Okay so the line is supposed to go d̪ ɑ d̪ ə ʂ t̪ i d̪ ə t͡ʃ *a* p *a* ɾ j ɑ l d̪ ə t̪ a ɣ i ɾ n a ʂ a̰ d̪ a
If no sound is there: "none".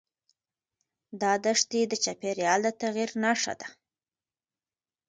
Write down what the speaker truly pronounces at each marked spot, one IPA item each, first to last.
a, e

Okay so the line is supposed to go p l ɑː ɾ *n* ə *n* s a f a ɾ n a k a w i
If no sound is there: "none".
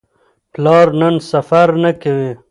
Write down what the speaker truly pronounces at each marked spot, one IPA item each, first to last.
n, n

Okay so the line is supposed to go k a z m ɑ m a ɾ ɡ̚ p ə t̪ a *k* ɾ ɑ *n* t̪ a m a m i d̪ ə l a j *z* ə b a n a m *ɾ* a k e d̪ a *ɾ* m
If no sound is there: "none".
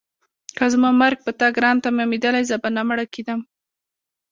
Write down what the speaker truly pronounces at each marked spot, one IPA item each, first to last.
ɡ, n, z, ɽ, none

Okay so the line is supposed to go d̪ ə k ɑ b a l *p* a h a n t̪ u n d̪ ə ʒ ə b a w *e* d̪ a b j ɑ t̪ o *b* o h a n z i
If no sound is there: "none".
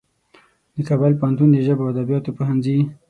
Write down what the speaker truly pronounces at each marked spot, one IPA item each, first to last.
p, a, p

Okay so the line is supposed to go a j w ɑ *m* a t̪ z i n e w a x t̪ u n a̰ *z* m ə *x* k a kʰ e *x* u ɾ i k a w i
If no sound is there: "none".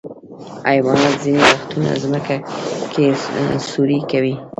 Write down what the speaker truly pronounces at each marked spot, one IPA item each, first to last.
n, z, none, s

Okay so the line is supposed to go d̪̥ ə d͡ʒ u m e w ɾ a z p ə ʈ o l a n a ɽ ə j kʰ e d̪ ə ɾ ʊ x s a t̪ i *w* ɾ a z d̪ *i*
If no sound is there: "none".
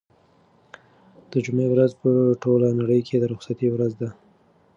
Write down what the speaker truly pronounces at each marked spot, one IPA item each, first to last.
w, a

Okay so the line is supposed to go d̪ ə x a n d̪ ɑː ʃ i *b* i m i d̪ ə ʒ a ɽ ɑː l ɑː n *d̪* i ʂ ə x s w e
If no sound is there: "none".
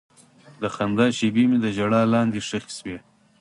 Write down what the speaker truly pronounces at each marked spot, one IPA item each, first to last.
b, d̪

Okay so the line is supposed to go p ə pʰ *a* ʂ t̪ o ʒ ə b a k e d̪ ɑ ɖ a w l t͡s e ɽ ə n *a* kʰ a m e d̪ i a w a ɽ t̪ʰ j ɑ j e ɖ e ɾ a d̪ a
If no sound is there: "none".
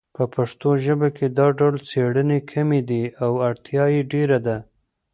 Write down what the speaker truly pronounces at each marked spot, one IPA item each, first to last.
a, e

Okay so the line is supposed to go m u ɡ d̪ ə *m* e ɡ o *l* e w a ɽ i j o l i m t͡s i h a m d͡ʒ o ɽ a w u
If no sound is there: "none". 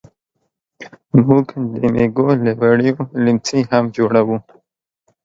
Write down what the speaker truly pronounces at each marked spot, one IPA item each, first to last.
m, l

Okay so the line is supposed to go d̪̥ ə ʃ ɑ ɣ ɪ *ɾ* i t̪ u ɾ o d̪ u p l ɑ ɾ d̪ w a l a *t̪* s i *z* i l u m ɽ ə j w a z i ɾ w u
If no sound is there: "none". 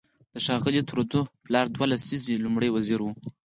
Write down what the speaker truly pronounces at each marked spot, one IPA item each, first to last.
l, none, z

